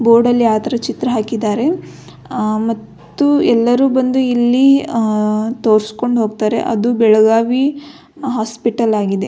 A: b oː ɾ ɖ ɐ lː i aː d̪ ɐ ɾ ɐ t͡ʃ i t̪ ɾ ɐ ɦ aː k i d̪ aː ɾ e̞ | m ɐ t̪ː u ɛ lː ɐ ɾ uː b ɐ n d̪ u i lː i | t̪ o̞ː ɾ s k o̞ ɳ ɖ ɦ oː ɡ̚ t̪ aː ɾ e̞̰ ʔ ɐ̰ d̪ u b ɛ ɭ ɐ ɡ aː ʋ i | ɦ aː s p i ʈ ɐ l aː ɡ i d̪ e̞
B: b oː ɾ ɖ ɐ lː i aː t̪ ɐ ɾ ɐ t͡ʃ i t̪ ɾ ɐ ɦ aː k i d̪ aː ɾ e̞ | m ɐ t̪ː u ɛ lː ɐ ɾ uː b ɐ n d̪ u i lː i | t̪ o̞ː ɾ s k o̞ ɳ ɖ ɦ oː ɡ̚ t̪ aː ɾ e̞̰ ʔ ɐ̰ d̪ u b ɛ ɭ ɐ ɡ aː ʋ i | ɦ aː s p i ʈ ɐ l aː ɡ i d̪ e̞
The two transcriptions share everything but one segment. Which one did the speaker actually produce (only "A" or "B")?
B